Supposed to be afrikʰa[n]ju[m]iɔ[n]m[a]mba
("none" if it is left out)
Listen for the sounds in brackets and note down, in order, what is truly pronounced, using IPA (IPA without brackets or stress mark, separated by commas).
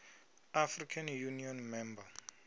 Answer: n, n, n, ɛ